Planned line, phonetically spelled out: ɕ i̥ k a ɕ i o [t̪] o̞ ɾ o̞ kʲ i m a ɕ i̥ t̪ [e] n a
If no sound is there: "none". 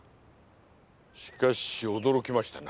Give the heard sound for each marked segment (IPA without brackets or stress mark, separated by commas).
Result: d̪, a